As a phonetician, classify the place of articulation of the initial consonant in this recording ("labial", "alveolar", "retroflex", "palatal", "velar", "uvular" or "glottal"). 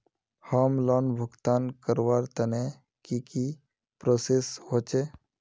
glottal